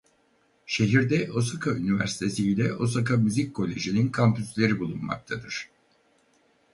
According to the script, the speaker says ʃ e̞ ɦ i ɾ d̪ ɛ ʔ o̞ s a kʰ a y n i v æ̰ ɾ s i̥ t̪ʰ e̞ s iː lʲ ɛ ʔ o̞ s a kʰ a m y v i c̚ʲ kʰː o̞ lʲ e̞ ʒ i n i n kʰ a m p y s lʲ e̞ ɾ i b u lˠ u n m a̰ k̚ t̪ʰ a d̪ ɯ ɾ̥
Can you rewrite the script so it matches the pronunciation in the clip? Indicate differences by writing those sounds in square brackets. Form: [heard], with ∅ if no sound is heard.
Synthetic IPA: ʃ e̞ ɦ i ɾ d̪ ɛ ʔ o̞ s a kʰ a y n i v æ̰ ɾ s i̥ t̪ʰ e̞ s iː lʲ ɛ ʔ o̞ s a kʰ a m y [z] i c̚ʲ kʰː o̞ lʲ e̞ ʒ i n i n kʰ a m p y s lʲ e̞ ɾ i b u lˠ u n m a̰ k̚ t̪ʰ a d̪ ɯ ɾ̥

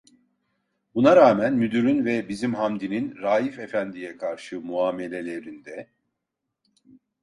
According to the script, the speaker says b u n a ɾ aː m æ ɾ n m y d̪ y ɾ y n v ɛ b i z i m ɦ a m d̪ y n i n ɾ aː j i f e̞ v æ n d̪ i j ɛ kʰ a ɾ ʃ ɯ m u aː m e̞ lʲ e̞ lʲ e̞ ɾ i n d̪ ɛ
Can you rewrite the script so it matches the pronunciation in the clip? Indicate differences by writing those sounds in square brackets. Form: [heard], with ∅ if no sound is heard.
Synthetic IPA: b u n a ɾ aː m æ [∅] n m y d̪ y ɾ y n v ɛ b i z i m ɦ a m d̪ [i] n i n ɾ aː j i f e̞ [f] æ n d̪ i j ɛ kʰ a ɾ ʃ ɯ m u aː m e̞ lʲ e̞ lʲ e̞ ɾ i n d̪ ɛ

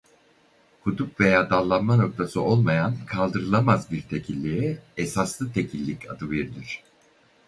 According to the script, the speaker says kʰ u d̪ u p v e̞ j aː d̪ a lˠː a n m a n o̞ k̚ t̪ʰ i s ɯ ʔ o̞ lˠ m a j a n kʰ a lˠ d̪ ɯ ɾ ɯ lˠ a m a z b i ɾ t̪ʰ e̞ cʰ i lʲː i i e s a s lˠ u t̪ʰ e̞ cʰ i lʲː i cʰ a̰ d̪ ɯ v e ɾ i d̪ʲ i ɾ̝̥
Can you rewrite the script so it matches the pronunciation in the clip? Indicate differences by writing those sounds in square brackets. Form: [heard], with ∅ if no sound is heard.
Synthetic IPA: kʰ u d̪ u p v e̞ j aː d̪ a lˠː a n m a n o̞ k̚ t̪ʰ [a] s ɯ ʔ o̞ lˠ m a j a n kʰ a lˠ d̪ ɯ ɾ ɯ lˠ a m a z b i ɾ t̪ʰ e̞ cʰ i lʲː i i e s a s lˠ [ɯ] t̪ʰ e̞ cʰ i lʲː i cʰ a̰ d̪ ɯ v e ɾ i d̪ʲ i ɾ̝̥

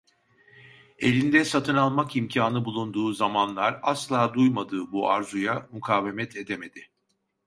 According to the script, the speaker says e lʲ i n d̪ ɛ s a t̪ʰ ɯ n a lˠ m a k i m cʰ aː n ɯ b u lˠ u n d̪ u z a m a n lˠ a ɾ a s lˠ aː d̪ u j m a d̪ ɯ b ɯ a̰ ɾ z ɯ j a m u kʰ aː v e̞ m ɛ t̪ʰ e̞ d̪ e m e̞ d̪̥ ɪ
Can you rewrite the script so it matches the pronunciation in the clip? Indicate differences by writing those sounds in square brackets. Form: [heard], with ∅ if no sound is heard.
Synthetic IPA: e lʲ i n d̪ ɛ s a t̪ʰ ɯ n a lˠ m a k i m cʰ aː n ɯ b u lˠ u n d̪ [uː] z a m a n lˠ a ɾ a s lˠ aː d̪ u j m a d̪ [ɯː] b [u] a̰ ɾ z [u] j a m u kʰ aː v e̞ m ɛ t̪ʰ e̞ d̪ e m e̞ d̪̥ ɪ

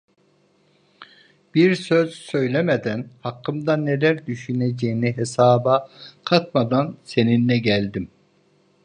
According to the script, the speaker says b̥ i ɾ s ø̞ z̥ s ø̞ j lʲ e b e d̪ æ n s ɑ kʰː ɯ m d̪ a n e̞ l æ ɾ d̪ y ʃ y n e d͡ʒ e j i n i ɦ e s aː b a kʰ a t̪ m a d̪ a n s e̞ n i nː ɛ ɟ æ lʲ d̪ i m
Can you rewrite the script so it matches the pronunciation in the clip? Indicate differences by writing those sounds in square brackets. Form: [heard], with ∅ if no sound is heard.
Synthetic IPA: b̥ i ɾ s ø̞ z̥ s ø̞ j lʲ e [m] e d̪ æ n [h] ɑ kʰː ɯ m d̪ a n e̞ l æ ɾ d̪ y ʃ y n e d͡ʒ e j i n i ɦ e s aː b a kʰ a t̪ m a d̪ a n s e̞ n i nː ɛ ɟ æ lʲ d̪ i m

